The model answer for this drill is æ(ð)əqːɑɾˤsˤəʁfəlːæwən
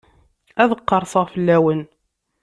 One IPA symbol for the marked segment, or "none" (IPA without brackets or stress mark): ð